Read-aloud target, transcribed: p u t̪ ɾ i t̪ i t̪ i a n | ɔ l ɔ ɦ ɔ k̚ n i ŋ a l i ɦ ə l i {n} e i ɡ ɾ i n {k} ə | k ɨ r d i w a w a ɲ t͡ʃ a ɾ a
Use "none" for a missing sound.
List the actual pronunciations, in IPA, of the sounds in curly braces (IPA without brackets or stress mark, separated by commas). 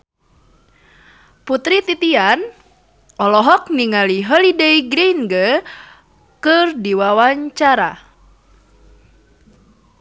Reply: d, ɡ